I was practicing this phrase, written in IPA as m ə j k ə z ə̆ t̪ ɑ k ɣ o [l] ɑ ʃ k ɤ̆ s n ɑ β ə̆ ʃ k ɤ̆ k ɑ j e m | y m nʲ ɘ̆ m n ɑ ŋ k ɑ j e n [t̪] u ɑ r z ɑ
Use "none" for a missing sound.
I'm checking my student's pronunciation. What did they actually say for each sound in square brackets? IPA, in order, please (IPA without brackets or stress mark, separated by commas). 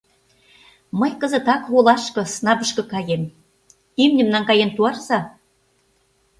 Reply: l, t̪